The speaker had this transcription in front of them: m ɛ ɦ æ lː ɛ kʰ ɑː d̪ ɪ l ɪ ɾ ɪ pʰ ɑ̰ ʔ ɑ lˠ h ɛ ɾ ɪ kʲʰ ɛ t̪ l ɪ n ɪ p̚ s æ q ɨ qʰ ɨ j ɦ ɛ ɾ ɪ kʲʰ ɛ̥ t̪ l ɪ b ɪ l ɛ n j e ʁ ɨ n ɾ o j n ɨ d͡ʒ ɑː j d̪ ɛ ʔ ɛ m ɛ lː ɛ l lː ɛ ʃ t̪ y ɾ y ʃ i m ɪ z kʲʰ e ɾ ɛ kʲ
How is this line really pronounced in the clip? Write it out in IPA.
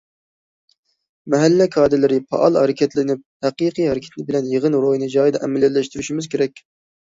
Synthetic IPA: m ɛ ɦ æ lː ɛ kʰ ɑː d̪ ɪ l ɪ ɾ ɪ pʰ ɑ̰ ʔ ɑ lˠ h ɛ ɾ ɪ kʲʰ ɛ t̪ l ɪ n ɪ p̚ h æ q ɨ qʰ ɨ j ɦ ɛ ɾ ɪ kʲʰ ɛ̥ t̪ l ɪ b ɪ l ɛ n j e ʁ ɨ n ɾ o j n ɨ d͡ʒ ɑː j d̪ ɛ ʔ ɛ m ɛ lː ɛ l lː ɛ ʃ t̪ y ɾ y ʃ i m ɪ z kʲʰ e ɾ ɛ kʲ